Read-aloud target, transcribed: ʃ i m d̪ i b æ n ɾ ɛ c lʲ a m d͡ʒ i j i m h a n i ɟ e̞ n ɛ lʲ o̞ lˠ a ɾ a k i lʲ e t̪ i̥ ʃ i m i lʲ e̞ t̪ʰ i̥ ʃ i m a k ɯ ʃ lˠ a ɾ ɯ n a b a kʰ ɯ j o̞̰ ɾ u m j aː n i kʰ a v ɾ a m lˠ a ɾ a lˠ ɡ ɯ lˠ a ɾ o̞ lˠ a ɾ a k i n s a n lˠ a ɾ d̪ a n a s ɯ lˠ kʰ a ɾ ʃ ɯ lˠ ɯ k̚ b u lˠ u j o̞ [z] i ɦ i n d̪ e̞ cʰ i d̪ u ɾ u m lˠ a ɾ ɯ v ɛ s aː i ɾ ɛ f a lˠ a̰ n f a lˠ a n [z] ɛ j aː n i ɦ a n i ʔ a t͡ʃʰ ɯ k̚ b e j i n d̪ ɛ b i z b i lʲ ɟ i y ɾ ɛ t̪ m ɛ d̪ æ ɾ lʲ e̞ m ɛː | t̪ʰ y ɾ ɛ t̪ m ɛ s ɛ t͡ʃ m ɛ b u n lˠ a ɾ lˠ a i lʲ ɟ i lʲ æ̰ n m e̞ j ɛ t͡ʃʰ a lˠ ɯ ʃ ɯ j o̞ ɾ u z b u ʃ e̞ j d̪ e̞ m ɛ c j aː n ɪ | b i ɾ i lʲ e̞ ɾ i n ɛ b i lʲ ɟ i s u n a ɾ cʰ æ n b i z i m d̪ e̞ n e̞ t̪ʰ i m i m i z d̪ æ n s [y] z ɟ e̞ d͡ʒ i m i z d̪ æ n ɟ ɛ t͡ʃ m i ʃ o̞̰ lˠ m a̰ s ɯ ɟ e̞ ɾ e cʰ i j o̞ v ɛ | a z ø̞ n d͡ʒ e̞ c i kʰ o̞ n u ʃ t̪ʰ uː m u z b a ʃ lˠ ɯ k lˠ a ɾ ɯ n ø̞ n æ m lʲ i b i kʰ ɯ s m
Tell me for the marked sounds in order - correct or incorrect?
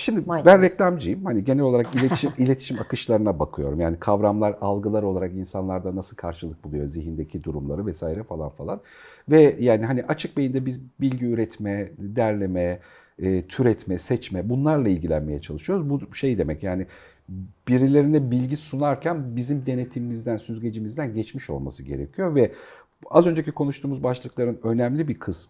correct, incorrect, correct

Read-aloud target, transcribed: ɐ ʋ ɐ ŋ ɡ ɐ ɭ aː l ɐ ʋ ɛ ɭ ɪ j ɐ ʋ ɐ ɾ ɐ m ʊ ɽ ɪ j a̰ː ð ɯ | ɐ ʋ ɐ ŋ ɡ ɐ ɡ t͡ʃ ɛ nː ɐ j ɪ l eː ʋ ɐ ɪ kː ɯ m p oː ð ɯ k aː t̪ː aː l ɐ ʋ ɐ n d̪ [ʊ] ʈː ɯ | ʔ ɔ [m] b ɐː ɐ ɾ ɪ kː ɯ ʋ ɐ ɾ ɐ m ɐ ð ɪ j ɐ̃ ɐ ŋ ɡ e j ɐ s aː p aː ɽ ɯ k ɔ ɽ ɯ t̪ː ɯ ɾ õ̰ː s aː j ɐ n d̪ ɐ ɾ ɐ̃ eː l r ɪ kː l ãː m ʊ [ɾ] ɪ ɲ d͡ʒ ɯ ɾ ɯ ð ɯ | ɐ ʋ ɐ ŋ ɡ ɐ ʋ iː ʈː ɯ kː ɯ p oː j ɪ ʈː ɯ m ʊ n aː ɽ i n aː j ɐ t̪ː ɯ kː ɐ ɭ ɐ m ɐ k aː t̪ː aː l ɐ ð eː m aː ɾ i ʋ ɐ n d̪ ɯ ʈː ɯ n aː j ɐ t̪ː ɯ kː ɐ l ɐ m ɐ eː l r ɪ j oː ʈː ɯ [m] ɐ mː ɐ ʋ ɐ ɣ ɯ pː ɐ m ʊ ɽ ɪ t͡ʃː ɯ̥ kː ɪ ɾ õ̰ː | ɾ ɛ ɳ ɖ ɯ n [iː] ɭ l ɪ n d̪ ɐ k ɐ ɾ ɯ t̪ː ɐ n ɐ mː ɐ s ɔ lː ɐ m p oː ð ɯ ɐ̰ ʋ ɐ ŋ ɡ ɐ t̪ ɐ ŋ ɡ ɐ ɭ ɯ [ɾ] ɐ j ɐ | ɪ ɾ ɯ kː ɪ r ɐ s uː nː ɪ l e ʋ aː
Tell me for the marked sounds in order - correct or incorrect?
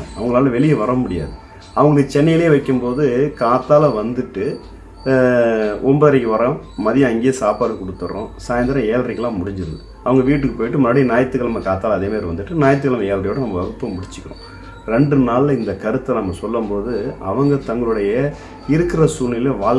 incorrect, correct, incorrect, incorrect, incorrect, incorrect

